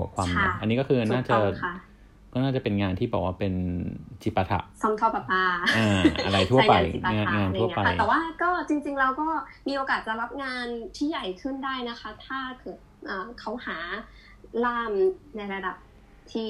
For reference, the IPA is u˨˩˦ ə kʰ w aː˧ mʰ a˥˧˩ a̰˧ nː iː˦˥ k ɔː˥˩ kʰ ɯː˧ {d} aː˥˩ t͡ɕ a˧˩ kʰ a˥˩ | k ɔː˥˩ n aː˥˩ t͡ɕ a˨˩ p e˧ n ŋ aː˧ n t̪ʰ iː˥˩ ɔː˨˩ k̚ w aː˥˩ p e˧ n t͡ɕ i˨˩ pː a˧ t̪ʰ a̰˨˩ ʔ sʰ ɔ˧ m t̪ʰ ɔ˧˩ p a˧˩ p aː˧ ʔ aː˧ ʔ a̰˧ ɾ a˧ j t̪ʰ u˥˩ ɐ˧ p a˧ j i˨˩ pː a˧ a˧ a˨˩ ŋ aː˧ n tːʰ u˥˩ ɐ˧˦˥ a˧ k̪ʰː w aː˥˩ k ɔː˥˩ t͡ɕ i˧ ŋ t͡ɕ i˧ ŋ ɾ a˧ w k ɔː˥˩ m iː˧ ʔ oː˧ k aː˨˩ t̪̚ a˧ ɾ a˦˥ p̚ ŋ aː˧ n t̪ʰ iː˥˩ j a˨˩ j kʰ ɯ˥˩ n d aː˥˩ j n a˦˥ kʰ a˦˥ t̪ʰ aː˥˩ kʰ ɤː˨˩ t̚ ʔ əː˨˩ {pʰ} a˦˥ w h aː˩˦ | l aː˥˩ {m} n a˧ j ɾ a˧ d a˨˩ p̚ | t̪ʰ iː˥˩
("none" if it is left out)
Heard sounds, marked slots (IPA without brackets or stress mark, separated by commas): n, kʰ, m